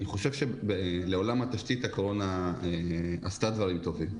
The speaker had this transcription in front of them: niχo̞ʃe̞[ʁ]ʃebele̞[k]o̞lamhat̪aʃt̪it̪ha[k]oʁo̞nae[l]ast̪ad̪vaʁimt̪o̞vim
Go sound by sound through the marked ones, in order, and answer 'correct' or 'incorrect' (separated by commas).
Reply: incorrect, incorrect, correct, incorrect